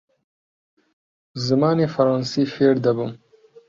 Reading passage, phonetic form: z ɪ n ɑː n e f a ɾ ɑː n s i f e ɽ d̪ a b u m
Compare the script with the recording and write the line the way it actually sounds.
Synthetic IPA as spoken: z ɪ m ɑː n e f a ɾ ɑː n s i f e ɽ d̪ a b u m

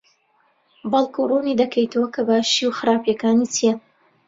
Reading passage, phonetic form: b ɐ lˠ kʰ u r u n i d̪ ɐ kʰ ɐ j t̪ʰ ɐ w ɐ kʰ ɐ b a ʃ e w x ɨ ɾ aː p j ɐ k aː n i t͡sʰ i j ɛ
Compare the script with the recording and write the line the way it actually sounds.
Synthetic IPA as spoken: b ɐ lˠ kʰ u r u n i d̪ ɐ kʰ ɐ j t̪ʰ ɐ w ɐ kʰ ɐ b a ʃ i w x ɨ ɾ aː p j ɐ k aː n i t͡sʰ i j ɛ

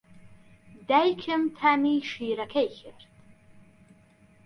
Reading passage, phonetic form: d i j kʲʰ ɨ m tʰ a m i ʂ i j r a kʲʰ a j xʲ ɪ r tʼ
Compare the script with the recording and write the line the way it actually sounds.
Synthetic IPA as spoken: d a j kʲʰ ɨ m tʰ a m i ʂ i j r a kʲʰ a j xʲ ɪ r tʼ

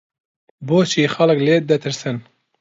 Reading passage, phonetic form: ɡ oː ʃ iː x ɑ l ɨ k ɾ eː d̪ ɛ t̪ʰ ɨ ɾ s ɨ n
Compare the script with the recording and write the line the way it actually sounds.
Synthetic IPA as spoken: b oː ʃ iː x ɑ l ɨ k l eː d̪ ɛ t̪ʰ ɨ ɾ s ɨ n

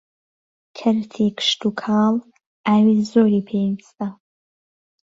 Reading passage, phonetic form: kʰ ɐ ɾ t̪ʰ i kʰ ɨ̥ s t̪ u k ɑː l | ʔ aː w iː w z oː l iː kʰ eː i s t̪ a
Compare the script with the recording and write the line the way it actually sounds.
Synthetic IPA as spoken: kʰ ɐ ɾ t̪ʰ i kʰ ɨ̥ ʃ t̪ u kʰ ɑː l | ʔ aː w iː z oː ɾ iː pʰ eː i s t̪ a

